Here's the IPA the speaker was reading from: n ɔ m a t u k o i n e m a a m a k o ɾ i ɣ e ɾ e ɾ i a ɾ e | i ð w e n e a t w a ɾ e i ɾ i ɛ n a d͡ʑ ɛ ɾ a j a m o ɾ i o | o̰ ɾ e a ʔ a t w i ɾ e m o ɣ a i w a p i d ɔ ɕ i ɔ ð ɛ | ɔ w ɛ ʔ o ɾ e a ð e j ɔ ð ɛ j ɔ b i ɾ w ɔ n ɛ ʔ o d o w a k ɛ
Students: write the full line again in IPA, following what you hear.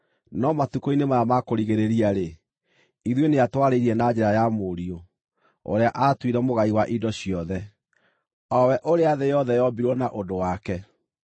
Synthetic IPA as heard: n ɔ m a t u k o i n e m a a m a k o ɾ i ɣ e ɾ e ɾ i a ɾ e | i ð w e n e a t w a ɾ e i ɾ i ɛ n a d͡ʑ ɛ ɾ a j a m o ɾ i o | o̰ ɾ e a ʔ a t w i ɾ ɛ m o ɣ a i w a ʔ i d ɔ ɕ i ɔ ð ɛ | ɔ w ɛ ʔ o ɾ e a ð e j ɔ ð ɛ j ɔ b i ɾ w ɔ n a ʔ o d o w a k ɛ